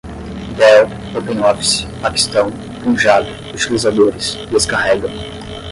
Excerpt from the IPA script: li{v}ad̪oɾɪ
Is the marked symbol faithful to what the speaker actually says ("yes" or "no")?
no